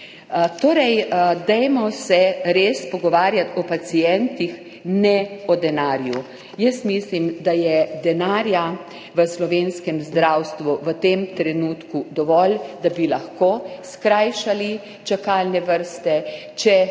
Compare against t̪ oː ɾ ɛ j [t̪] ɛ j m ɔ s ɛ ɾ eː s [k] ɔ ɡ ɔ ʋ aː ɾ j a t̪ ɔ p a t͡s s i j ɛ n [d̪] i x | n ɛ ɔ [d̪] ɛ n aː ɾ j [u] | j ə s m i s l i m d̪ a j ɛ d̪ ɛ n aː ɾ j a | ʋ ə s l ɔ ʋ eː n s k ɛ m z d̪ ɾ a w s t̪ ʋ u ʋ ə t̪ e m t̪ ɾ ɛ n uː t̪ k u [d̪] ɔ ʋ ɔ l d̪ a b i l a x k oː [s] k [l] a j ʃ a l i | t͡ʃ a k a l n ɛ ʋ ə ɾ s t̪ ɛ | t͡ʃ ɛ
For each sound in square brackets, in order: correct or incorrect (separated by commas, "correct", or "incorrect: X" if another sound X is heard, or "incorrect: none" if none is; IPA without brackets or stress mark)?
incorrect: d̪, incorrect: p, incorrect: t̪, correct, correct, correct, correct, incorrect: ɾ